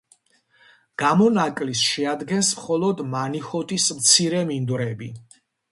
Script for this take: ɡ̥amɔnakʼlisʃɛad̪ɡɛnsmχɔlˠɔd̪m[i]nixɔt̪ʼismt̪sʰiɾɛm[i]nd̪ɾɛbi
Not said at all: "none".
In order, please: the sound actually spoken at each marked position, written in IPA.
a, i

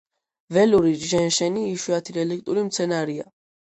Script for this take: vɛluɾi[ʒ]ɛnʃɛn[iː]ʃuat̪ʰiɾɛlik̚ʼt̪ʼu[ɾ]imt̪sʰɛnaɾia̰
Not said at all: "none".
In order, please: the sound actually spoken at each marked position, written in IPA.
ʒ, iː, ɾ

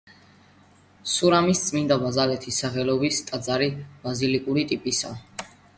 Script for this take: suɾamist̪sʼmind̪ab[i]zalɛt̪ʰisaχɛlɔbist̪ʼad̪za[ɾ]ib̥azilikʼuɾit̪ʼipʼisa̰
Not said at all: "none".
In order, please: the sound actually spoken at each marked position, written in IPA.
a, ɾ

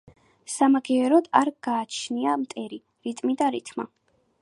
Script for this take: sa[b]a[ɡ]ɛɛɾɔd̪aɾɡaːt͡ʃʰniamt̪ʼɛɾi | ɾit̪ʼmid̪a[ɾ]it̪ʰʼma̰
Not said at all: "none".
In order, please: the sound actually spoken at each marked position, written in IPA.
m, ɡ, ɾ

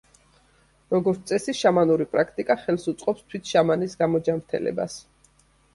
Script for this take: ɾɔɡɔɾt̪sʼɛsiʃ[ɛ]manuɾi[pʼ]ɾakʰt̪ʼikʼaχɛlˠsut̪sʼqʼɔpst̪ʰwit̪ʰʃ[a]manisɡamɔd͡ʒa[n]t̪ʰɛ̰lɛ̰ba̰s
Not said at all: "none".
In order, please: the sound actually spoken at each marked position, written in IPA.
a, pʼ, a, m

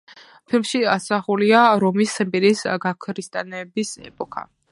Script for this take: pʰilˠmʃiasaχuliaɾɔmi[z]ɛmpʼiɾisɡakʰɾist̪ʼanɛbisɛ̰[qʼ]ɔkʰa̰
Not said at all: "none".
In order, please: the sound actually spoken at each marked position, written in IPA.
s, pʼ

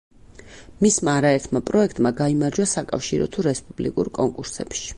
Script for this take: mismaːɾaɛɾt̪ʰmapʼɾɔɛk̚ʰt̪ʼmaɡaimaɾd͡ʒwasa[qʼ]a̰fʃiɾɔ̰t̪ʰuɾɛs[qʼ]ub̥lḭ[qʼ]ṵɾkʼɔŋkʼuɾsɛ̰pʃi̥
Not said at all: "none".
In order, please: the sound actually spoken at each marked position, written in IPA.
kʼ, pʼ, kʼ

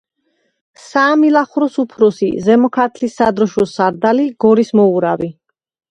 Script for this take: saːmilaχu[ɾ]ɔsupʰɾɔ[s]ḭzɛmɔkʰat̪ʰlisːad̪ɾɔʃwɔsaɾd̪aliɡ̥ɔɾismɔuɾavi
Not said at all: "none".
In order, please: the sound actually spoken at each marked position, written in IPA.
ɾ, s

